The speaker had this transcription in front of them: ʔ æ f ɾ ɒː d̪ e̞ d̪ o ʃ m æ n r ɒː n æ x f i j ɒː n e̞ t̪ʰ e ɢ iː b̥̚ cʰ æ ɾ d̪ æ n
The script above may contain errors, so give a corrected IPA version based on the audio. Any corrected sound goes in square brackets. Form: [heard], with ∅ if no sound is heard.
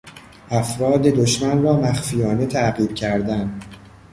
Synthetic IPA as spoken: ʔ æ f ɾ ɒː d̪ e̞ d̪ o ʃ m æ n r ɒː [m] æ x f i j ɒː n e̞ t̪ʰ [æ] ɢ iː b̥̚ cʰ æ ɾ d̪ æ n